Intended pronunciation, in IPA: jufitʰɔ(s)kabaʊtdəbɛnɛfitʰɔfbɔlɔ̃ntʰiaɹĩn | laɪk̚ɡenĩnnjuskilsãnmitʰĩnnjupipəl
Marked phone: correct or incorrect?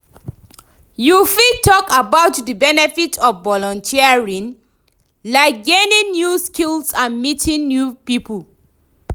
incorrect